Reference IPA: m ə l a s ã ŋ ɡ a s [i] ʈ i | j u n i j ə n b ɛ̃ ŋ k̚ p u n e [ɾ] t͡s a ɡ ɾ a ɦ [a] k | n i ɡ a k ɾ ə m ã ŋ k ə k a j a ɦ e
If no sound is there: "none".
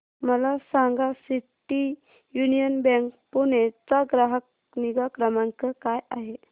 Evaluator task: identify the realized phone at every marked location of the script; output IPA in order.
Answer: i, none, ə

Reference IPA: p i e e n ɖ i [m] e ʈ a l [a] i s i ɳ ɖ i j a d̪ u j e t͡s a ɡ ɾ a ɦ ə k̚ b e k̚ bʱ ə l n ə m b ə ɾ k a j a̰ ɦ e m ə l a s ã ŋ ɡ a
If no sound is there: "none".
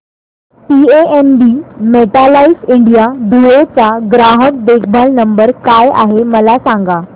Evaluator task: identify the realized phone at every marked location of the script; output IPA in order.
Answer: m, a

